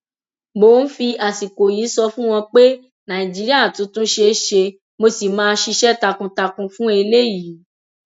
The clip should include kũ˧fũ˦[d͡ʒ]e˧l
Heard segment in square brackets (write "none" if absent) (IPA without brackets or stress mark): none